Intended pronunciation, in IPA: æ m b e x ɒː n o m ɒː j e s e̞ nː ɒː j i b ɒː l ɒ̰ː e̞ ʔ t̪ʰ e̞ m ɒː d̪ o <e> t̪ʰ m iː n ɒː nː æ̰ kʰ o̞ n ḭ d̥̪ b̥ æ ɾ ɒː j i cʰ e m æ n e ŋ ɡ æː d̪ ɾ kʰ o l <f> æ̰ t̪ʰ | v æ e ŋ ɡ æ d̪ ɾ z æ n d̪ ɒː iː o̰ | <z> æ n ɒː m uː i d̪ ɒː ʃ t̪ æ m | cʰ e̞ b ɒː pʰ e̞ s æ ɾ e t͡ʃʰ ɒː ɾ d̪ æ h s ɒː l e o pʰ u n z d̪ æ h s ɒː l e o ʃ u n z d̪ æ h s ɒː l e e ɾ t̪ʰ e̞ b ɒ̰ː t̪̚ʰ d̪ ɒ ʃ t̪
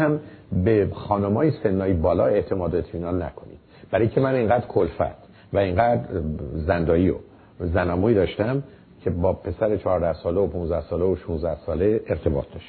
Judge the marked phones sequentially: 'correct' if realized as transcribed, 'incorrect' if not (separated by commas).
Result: correct, correct, correct